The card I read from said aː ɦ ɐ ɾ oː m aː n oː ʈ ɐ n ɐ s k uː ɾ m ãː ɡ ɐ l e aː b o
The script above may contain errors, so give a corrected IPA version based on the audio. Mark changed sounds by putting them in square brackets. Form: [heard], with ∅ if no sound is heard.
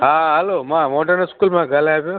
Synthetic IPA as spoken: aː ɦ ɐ [l] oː m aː [m] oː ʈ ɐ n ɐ s k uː [l] m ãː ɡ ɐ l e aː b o

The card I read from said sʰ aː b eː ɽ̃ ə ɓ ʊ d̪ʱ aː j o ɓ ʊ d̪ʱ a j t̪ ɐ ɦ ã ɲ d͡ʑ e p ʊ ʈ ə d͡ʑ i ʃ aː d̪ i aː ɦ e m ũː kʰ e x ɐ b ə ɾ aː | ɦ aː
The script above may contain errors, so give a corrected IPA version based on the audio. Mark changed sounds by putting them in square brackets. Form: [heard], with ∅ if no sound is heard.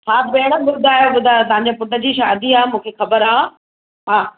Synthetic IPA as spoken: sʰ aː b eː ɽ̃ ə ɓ ʊ d̪ʱ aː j o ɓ ʊ d̪ʱ a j t̪ ɐ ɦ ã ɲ d͡ʑ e p ʊ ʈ ə d͡ʑ i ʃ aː d̪ i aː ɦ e m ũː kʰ e x ɐ b ə ɾ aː | ɦ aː

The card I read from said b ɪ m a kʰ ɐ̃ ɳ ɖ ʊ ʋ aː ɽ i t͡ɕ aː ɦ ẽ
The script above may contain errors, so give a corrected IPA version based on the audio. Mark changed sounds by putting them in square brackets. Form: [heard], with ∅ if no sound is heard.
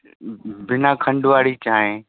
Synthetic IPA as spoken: b ɪ [n] a kʰ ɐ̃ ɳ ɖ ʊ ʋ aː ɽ i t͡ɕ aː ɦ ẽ

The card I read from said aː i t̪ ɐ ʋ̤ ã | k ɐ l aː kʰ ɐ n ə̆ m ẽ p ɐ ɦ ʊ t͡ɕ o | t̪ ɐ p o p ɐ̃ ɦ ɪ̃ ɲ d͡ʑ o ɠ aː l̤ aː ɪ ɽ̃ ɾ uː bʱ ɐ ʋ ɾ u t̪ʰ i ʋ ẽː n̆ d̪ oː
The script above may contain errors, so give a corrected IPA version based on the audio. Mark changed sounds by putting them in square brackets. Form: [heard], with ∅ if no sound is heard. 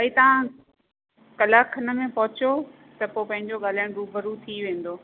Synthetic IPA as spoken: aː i t̪ ɐ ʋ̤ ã | k ɐ l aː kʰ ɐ n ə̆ m ẽ p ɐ ɦ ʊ t͡ɕ o | t̪ ɐ p o p ɐ̃ ɦ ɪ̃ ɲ d͡ʑ o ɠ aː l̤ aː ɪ ɽ̃ ɾ uː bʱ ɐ [∅] ɾ u t̪ʰ i ʋ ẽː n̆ d̪ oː

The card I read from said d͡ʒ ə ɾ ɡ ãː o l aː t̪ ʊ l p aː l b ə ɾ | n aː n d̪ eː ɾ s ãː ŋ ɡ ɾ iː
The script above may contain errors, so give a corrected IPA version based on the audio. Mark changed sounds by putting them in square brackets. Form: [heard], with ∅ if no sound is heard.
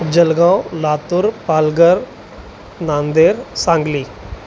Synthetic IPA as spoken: d͡ʒ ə [l] ɡ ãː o l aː t̪ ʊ [ɾ] p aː l [ɡ] ə ɾ | n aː n d̪ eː ɾ s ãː ŋ ɡ [l] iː

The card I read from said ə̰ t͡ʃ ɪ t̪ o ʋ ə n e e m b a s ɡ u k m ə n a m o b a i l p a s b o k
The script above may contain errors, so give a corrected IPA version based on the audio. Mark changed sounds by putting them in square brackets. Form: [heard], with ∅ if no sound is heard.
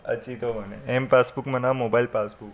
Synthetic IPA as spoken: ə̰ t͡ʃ [i] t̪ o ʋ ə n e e m [p] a s [b] u k m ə n a m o b a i l p a s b [u] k

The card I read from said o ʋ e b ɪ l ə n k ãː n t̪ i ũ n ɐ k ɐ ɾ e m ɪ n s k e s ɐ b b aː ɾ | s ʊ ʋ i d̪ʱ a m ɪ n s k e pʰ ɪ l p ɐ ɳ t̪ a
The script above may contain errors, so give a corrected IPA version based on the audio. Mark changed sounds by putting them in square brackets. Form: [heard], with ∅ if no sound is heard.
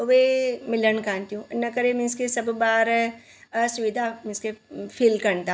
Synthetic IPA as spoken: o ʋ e [m] ɪ l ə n k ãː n t̪ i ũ n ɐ k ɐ ɾ e m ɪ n s k e s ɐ b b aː ɾ | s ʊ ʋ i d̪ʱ a m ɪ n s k e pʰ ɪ l [k] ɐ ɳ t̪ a

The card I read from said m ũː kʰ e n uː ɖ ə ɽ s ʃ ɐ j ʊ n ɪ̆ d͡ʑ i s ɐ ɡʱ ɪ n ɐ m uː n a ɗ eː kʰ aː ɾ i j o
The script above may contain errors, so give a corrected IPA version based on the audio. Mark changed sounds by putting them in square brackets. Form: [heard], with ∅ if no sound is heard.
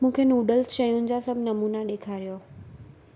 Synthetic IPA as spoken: m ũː kʰ e n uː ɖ ə [l] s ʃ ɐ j ʊ n ɪ̆ d͡ʑ [a] s ɐ [bʱ] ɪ n ɐ m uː n a ɗ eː kʰ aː ɾ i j o

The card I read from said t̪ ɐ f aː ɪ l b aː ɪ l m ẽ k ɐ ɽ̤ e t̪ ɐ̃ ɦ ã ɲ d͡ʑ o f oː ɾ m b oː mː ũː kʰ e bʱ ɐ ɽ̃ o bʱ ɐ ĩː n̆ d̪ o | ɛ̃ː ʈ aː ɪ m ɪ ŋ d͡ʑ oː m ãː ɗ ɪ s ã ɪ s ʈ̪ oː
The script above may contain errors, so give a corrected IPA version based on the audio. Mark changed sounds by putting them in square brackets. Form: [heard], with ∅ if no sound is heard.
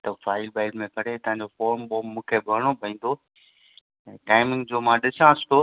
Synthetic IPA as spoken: t̪ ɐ f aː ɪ l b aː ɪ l m ẽ k ɐ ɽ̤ e t̪ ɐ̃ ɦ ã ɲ d͡ʑ o f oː ɾ m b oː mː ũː kʰ e bʱ ɐ ɽ̃ o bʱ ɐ ĩː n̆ d̪ o | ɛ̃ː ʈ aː ɪ m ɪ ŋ d͡ʑ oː m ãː ɗ ɪ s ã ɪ s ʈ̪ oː

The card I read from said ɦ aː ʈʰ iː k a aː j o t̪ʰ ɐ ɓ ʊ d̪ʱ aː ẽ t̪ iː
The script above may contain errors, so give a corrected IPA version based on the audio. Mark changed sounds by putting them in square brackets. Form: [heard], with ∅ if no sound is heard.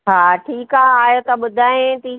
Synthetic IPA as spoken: ɦ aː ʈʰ iː k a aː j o [t̪] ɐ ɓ ʊ d̪ʱ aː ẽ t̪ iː

